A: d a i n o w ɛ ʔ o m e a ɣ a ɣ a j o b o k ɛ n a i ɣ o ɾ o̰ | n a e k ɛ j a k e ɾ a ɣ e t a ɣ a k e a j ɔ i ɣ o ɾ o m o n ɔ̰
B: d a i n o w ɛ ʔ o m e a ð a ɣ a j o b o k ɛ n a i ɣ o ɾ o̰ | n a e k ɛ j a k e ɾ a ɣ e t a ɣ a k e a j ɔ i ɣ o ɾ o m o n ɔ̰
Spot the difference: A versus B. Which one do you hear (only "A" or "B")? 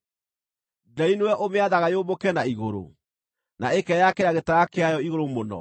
B